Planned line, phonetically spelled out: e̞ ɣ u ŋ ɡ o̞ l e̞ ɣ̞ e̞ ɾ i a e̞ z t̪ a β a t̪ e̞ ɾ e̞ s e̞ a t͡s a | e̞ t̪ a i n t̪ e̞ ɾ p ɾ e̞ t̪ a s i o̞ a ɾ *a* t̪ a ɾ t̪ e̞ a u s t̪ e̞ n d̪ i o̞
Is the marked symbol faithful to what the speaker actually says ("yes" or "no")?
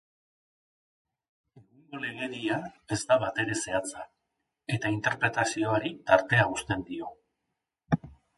no